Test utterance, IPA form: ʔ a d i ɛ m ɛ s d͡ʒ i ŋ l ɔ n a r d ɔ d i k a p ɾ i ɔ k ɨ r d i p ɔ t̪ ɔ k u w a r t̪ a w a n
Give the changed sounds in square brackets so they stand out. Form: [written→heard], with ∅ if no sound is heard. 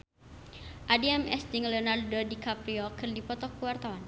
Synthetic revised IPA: ʔ a d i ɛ m ɛ s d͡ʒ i ŋ l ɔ n a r d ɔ d i k a p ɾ i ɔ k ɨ r d i p ɔ t̪ ɔ k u w a r t̪ a w a n